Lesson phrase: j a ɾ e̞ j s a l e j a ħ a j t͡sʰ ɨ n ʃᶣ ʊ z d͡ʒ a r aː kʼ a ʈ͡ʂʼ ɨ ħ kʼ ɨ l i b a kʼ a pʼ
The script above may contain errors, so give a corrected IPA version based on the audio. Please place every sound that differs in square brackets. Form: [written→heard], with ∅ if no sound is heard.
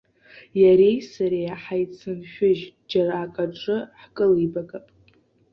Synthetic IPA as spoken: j a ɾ e̞ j s a [l→ɾ] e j a ħ a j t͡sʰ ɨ n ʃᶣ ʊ [z→ʒ] d͡ʒ a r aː kʼ a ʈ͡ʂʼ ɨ ħ kʼ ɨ l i b a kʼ a pʼ